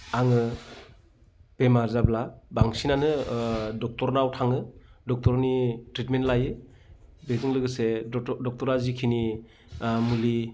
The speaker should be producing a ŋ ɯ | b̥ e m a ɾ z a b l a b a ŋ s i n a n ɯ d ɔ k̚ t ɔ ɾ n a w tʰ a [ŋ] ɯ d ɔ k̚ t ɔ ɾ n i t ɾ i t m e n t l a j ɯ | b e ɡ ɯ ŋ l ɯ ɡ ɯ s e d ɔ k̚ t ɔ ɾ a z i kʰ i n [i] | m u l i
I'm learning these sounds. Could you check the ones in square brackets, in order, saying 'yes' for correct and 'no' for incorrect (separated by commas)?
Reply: yes, yes